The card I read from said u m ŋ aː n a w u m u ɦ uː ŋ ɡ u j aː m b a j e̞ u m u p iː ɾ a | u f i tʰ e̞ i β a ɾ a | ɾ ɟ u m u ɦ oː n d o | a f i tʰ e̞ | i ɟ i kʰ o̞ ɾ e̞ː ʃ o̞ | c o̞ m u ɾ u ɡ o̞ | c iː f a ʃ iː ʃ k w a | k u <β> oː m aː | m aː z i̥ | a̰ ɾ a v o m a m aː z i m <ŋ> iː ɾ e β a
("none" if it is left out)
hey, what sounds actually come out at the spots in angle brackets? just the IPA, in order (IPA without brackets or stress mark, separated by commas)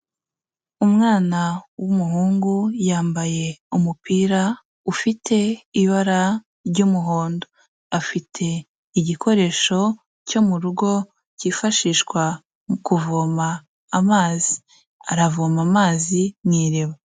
v, ŋ